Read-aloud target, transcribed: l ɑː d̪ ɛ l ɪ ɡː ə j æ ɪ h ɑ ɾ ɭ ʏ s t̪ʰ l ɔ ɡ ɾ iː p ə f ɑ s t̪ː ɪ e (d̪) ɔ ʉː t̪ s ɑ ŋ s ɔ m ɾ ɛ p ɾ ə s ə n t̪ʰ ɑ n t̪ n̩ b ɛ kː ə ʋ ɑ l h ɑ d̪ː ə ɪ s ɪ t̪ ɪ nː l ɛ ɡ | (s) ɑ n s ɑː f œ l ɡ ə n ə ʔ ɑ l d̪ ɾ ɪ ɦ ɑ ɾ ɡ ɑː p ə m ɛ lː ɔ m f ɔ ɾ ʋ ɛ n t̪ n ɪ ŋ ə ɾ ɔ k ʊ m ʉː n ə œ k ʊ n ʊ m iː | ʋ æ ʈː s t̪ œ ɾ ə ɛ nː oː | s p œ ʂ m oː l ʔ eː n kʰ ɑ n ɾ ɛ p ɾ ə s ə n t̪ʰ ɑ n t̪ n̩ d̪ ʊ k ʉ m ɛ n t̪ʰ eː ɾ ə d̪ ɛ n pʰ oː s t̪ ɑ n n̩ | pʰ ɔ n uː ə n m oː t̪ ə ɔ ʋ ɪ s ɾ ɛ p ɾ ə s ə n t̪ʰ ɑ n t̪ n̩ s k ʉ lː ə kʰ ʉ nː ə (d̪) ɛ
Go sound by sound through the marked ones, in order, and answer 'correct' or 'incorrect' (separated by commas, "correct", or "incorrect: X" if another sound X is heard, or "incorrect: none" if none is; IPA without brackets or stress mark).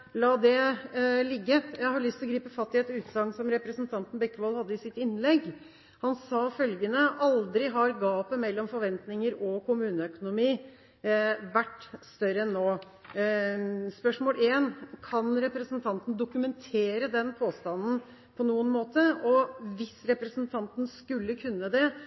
incorrect: t̪, incorrect: h, correct